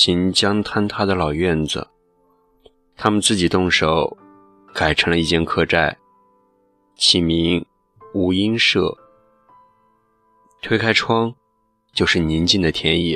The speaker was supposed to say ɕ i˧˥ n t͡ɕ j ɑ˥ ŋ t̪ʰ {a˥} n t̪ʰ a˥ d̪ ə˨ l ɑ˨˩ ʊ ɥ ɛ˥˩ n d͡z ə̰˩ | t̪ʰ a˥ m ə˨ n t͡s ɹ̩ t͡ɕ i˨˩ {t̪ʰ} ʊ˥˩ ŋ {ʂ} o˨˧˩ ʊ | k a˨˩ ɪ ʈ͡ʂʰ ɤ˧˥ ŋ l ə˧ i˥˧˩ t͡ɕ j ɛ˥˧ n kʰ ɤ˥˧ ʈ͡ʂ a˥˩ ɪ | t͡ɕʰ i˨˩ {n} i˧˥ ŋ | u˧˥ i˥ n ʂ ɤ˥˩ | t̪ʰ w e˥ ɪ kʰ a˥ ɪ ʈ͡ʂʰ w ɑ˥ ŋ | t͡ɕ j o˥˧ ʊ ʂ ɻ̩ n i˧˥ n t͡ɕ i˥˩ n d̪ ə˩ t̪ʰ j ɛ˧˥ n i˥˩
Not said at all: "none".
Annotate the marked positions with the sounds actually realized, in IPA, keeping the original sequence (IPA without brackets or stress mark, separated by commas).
a˥, t̪, ʂ, m